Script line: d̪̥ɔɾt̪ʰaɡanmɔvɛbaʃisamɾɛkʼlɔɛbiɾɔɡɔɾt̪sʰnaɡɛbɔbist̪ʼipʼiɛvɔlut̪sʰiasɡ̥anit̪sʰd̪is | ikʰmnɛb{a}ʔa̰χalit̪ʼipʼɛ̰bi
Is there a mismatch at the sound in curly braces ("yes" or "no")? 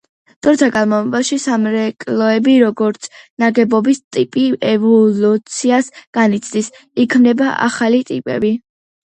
no